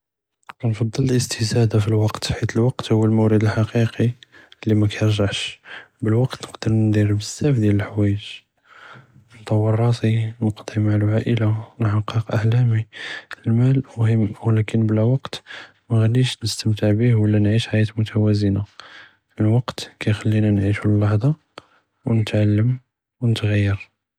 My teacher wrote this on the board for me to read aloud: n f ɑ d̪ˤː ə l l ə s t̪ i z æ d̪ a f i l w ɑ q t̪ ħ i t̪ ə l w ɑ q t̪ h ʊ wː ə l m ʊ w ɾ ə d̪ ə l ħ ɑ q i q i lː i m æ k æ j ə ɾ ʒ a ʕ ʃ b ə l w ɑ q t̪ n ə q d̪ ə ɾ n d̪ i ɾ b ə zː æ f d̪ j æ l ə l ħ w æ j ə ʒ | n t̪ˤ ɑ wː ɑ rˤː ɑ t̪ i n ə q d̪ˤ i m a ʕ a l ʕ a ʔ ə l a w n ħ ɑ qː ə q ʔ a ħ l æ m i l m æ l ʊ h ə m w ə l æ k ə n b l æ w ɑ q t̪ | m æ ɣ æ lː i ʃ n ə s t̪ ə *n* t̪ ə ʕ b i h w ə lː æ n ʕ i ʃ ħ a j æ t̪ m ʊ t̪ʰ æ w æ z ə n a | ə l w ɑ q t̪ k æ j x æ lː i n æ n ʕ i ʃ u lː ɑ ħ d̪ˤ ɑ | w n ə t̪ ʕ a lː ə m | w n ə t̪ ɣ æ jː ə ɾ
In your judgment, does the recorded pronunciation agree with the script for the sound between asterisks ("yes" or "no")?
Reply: no